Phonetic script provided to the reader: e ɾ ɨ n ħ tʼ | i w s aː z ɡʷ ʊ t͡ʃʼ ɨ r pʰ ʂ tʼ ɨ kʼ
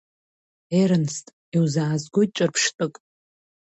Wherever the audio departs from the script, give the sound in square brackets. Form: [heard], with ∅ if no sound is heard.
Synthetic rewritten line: e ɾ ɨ n [s] tʼ | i w [z] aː z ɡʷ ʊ t͡ʃʼ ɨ r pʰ ʂ tʼ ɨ kʼ

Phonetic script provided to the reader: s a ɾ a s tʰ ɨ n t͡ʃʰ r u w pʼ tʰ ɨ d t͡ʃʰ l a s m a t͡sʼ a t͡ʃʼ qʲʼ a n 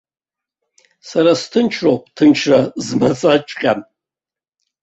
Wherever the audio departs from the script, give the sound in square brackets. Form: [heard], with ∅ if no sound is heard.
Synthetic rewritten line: s a ɾ a s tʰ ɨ n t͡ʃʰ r [o] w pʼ tʰ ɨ [n] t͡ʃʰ [r] a [z] m a t͡sʼ a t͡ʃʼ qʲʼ a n

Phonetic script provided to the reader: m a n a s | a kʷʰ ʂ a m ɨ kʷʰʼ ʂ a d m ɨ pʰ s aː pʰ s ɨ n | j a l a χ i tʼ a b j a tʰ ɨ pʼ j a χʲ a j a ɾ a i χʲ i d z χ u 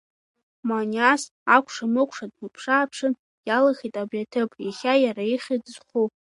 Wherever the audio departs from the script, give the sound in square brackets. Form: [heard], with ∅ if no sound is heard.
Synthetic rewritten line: m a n a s | a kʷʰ ʂ a m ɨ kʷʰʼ ʂ a d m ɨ pʰ [ʂ] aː pʰ [ʂ] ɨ n | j a l a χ i tʼ a b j a tʰ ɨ pʼ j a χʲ a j a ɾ a i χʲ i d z χ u

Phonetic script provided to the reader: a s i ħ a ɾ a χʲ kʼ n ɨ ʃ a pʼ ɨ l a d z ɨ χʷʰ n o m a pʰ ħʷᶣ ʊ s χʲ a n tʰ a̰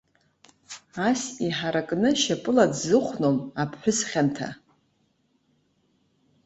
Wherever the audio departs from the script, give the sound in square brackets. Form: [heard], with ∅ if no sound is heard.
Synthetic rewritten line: a s i ħ a ɾ a [∅] kʼ n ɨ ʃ a pʼ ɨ l a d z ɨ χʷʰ n o m a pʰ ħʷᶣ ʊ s χʲ a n tʰ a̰

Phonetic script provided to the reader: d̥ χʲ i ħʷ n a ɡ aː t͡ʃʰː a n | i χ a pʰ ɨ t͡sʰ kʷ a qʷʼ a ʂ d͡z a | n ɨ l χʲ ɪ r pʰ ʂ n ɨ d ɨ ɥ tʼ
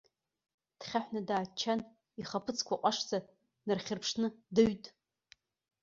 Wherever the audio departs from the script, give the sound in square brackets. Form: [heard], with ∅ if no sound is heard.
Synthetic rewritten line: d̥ χʲ [a] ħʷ n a [d] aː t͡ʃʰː a n | i χ a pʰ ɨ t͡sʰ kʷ a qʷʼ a ʂ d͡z a | n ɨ [r] χʲ ɪ r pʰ ʂ n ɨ d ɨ ɥ tʼ

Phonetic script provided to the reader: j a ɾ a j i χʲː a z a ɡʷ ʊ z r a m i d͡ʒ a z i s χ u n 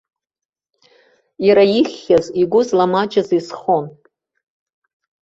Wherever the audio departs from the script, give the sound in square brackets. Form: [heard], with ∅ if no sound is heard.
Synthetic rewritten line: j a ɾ a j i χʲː a z [i] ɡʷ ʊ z [l] a m [a] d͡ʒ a z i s χ [o] n

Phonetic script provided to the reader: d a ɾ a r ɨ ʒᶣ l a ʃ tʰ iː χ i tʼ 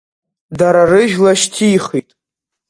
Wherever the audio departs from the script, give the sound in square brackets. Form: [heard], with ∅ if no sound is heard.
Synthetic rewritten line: d a ɾ a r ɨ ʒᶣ l a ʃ tʰ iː χ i tʼ

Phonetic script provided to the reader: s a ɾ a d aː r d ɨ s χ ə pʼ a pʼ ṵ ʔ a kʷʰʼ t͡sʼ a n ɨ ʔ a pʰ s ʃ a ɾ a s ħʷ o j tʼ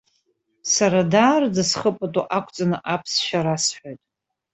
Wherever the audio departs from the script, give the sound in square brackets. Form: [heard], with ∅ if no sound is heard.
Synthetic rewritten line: s a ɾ a d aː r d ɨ s χ ə pʼ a [tʼ] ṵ ʔ a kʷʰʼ t͡sʼ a n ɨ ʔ a pʰ s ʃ a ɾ a s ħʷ o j tʼ

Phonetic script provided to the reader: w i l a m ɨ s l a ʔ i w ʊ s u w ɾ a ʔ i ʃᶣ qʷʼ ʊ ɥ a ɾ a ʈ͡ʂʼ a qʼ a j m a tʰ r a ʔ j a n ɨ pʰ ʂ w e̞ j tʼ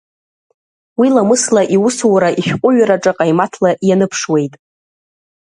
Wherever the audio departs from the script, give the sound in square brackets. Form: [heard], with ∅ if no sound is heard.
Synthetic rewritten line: w i l a m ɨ s l a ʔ i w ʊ s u w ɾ a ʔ i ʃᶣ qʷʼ ʊ ɥ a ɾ a ʈ͡ʂʼ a qʼ a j m a tʰ [l] a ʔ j a n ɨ pʰ ʂ w e̞ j tʼ

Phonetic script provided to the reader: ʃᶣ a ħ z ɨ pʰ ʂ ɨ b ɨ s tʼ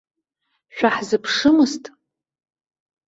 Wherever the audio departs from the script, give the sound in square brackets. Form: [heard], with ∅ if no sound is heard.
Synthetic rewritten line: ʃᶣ a ħ z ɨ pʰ ʂ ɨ [m] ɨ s tʼ

